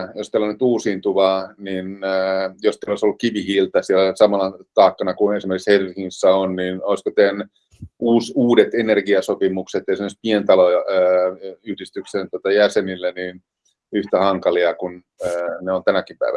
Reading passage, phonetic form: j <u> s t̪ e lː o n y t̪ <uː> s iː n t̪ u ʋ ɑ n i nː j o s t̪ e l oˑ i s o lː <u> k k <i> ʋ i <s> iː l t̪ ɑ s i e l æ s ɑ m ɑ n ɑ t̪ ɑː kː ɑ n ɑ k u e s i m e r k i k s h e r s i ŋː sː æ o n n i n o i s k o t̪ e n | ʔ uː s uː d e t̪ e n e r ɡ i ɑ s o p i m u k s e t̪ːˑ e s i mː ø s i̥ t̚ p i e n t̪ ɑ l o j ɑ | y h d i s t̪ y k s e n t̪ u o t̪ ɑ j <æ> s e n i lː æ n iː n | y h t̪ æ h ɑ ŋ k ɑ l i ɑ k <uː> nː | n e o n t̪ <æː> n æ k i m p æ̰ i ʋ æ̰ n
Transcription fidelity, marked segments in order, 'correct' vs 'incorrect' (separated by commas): incorrect, correct, correct, correct, incorrect, correct, incorrect, incorrect